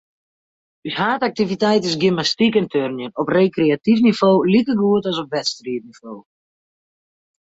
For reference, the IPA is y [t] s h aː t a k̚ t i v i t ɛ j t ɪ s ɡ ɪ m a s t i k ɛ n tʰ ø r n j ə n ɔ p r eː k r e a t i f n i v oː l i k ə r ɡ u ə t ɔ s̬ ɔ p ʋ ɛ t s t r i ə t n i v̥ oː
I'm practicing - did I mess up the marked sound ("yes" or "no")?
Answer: yes